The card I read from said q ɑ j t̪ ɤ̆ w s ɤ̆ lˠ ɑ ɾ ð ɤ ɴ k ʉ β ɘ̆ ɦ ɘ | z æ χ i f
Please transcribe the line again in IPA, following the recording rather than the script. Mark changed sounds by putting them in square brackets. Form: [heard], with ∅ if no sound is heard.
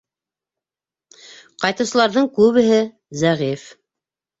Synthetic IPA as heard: q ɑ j t̪ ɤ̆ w s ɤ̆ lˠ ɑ ɾ ð ɤ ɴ k ʉ β ɘ̆ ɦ ɘ | z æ [ʁ] i f